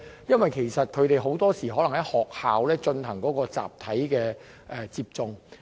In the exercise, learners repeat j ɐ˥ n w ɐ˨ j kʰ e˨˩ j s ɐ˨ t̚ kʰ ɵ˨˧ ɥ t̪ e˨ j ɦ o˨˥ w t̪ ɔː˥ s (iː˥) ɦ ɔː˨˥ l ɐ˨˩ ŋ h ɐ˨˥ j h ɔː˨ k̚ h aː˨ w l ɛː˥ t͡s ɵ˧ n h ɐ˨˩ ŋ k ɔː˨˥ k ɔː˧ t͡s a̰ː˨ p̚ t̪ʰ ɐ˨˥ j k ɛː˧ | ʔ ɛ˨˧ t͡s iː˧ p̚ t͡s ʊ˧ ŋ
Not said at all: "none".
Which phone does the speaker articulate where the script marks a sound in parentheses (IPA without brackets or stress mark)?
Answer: iː˨˩